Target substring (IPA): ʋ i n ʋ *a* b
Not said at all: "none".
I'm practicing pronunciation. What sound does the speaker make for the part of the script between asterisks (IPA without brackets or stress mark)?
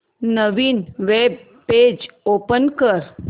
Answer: e